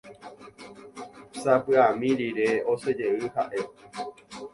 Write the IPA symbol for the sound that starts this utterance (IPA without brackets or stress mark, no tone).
s